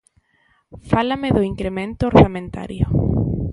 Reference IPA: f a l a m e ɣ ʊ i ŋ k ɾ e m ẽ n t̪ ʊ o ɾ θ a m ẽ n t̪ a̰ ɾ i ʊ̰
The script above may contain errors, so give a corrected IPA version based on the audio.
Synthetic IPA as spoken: f a l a m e ð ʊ i ŋ k ɾ e m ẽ n t̪ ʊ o ɾ θ a m ẽ n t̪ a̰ ɾ j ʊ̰